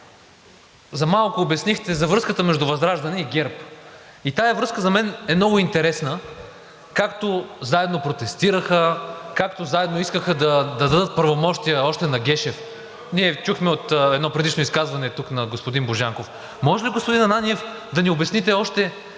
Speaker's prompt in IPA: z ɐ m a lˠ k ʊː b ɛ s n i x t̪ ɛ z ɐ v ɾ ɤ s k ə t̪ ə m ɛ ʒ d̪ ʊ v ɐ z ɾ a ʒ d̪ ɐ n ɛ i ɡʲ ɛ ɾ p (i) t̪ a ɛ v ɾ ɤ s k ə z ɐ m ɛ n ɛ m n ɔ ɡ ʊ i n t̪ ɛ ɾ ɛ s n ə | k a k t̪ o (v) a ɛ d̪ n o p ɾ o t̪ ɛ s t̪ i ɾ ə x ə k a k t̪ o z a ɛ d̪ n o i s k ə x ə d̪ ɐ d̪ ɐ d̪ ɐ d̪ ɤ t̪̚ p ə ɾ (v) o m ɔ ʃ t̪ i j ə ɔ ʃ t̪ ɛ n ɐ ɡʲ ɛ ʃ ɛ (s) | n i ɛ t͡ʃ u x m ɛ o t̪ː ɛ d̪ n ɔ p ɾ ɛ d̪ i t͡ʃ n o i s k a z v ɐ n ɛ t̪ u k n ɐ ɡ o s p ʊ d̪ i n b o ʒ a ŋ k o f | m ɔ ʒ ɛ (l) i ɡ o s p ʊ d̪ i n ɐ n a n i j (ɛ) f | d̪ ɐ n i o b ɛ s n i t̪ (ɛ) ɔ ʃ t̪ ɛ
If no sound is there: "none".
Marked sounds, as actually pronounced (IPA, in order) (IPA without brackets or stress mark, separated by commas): i, z, v, f, l, ɛ, ɛ